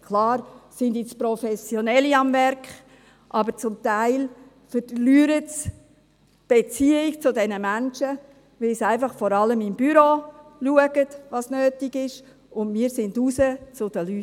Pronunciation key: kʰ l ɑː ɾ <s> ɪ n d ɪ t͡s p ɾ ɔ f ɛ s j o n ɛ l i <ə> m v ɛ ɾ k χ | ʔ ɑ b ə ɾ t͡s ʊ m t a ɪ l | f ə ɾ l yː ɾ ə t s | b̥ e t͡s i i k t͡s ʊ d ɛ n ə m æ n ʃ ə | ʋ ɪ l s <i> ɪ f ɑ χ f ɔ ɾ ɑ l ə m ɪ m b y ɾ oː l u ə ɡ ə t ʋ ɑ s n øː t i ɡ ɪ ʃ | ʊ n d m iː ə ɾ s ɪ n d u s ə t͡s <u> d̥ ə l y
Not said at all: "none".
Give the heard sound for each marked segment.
s, ɑ, æ, ʊ

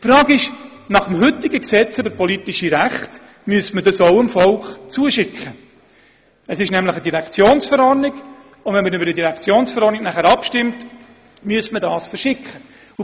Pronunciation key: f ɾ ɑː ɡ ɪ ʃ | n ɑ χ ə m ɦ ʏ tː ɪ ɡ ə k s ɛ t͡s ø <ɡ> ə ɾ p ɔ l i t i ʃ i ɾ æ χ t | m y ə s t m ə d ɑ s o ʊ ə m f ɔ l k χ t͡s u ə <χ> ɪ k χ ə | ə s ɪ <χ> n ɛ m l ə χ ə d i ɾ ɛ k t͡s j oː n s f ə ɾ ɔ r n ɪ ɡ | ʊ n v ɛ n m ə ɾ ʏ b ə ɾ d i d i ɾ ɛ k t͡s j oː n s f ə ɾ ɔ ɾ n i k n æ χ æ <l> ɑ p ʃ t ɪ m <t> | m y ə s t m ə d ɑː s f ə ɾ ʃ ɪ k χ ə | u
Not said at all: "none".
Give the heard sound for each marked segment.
b, ʃ, ʃ, ɾ, t

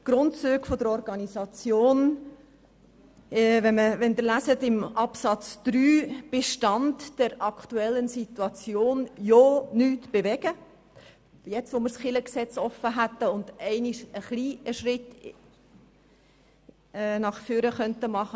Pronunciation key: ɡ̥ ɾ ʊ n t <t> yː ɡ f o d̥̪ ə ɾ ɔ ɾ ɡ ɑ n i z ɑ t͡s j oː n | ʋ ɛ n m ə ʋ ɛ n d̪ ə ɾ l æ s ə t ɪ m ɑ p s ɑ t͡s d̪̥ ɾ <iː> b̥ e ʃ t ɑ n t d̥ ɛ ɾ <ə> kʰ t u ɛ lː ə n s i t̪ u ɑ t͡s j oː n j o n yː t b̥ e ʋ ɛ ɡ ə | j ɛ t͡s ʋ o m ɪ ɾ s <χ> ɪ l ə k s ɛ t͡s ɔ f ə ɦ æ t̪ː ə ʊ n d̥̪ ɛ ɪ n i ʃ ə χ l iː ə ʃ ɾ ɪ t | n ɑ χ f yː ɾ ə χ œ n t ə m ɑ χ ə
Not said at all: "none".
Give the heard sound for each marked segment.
t͡s, yː, ɑ, χ

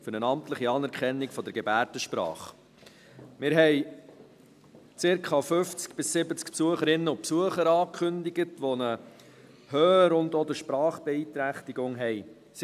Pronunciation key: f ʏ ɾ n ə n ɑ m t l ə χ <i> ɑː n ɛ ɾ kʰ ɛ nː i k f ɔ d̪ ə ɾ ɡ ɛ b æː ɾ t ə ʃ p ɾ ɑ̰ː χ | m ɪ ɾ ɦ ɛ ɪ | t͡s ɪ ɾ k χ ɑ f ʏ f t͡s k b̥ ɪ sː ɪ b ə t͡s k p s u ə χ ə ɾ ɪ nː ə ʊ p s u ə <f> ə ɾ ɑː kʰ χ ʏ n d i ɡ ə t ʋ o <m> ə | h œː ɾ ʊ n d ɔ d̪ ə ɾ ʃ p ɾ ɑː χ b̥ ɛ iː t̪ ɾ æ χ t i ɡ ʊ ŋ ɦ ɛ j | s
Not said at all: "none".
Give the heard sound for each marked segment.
i, χ, n

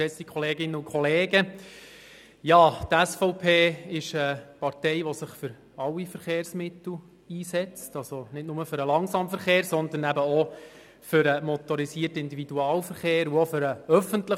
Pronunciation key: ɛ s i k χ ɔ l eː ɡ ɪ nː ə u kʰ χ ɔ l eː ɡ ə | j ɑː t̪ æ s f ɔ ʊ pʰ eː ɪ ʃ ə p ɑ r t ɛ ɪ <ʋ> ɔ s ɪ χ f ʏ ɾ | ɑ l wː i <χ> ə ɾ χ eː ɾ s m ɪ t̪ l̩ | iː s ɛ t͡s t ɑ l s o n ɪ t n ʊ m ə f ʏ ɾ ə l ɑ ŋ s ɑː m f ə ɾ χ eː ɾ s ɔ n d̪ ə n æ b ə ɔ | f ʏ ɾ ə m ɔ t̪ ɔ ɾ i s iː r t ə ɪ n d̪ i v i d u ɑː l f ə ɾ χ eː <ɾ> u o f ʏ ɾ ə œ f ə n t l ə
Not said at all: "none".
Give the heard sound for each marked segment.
ʋ, f, ɾ

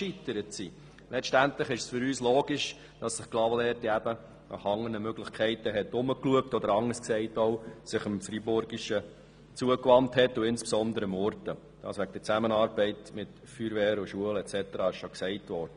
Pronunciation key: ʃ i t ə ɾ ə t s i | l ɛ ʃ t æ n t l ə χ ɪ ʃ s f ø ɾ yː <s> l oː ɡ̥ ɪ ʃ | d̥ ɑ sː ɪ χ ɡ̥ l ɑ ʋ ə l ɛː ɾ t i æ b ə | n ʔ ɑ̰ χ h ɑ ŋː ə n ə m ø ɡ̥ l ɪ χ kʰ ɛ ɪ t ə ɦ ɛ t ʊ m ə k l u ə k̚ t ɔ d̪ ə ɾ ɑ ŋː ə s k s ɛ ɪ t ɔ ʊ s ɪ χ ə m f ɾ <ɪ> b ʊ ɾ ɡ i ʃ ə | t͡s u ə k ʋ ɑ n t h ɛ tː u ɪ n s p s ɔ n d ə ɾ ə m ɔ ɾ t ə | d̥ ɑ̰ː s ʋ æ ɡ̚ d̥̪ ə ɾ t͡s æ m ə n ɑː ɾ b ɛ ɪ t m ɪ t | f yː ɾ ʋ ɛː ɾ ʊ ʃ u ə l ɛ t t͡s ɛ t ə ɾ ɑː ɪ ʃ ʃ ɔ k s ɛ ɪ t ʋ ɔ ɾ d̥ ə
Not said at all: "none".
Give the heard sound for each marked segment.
s, i

